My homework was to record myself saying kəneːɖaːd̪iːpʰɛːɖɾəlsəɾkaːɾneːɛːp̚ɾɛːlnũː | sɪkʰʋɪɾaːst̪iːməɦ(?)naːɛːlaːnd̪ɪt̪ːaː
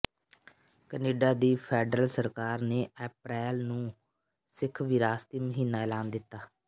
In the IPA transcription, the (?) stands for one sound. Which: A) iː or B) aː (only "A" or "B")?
A